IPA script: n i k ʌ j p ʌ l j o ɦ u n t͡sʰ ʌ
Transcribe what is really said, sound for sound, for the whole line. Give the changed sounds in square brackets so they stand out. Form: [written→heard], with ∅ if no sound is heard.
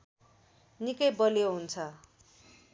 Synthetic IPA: n i k ʌ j [p→b] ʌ l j o ɦ u n t͡sʰ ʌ

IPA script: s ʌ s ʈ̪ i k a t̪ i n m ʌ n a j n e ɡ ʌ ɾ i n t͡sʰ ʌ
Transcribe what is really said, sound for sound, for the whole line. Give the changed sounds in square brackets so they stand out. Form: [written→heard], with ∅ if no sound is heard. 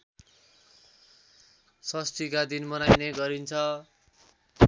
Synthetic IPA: s ʌ s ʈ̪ i k a [t̪→d̪] i n m ʌ n a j n e ɡ ʌ ɾ i n t͡sʰ ʌ

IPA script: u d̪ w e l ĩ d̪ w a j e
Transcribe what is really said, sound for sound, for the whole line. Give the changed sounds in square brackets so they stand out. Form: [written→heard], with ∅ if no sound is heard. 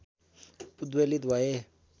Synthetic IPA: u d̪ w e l [ĩ→i] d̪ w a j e

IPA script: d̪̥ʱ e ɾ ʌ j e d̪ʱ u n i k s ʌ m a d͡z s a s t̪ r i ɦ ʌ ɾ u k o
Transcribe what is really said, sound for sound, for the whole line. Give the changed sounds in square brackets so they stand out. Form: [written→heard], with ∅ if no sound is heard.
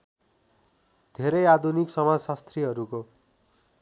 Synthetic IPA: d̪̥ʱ e ɾ ʌ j [e→a] d̪ʱ u n i k s ʌ m a d͡z s a s t̪ r i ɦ ʌ ɾ u k o

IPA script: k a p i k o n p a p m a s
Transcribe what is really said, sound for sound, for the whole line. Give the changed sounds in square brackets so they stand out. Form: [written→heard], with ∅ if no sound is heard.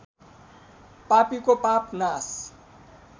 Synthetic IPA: [k→p] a p i k o [n→∅] p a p [m→n] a s

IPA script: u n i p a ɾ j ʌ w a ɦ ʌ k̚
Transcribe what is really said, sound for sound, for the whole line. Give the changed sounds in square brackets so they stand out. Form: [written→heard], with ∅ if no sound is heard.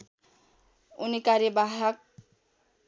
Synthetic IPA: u n i [p→k] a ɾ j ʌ [w→b] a ɦ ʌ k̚

